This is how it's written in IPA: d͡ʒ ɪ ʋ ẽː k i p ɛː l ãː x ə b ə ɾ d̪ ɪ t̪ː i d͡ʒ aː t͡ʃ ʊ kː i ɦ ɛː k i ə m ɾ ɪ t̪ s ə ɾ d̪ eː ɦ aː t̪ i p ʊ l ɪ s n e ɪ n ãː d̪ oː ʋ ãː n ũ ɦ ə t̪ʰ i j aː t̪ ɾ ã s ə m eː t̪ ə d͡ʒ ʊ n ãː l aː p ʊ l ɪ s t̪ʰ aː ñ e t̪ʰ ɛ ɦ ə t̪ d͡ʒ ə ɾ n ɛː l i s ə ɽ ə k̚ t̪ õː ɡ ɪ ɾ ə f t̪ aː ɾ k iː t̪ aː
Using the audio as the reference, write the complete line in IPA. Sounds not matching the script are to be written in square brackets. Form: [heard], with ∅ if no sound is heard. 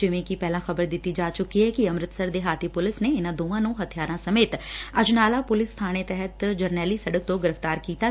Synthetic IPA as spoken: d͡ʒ ɪ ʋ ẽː k i p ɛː l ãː x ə b ə ɾ d̪ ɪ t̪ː i d͡ʒ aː t͡ʃ ʊ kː i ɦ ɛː k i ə m ɾ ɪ t̪ s ə ɾ d̪ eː ɦ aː t̪ i p ʊ l ɪ s n e ɪ n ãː d̪ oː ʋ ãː n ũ ɦ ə t̪ʰ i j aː [∅] ɾ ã s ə m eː t̪ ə d͡ʒ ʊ n [aː] l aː p ʊ l ɪ s t̪ʰ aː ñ e [t̪] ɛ ɦ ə t̪ d͡ʒ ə ɾ n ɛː l i s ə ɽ ə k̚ t̪ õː ɡ ɪ ɾ ə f t̪ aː ɾ k iː t̪ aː